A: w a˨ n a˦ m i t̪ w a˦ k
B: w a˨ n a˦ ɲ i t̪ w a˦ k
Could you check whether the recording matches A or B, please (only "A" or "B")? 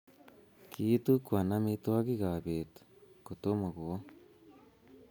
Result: A